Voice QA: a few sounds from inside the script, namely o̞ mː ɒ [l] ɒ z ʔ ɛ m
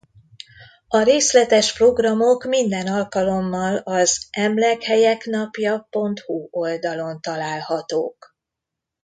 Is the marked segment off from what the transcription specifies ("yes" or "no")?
no